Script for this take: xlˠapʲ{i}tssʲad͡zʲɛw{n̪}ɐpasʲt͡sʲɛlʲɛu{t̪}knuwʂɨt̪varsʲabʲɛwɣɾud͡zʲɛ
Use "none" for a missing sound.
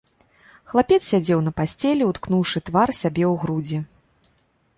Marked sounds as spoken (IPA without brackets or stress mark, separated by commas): ɛ, n̪, t̪